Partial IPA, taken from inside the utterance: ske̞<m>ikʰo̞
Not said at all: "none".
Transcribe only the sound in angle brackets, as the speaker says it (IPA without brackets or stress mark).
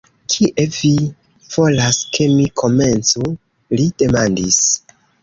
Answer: m